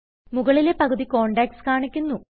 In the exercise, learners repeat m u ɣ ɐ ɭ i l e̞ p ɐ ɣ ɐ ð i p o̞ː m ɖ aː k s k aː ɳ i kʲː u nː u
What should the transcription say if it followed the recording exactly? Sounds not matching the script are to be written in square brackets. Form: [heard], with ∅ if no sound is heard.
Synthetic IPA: m u ɣ ɐ ɭ i l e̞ p ɐ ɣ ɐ ð i [k] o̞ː [ɳ] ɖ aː k s k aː ɳ i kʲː u nː u